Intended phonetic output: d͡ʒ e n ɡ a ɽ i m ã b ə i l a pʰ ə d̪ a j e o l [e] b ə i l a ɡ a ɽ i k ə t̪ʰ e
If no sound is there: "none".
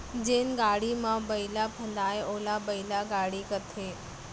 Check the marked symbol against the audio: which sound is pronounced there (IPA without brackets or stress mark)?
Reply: a